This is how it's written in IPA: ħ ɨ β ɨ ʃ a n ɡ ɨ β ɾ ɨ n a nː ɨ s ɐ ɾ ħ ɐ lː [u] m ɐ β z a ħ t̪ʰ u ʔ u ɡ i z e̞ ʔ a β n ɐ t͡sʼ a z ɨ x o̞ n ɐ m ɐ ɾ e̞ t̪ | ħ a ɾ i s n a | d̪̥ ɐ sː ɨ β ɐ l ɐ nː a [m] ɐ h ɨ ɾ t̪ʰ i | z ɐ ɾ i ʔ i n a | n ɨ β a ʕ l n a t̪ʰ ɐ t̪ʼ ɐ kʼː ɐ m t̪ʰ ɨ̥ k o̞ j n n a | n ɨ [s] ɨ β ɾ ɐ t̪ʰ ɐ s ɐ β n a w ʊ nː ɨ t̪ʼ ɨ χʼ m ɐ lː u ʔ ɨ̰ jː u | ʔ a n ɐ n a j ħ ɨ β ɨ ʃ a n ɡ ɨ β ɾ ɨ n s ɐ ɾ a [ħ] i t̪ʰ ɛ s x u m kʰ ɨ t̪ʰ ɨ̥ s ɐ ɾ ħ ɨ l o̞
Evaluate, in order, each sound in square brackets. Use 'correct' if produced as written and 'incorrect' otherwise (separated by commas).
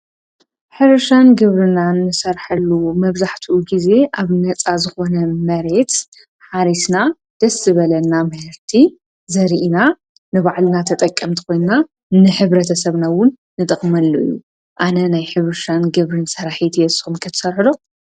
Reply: correct, correct, incorrect, correct